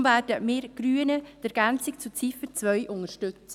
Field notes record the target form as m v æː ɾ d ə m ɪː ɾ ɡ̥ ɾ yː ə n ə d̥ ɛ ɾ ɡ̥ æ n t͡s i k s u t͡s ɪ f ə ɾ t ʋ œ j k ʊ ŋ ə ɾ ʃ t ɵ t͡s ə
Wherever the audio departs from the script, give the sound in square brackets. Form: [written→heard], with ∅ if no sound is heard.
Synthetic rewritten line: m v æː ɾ d ə m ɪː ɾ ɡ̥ ɾ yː ə n ə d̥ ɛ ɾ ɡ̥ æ n t͡s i k [s→t͡s] u t͡s [ɪ→i] f ə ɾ [t→t͡s] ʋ œ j [k→ʔ] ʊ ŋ ə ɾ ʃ t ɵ t͡s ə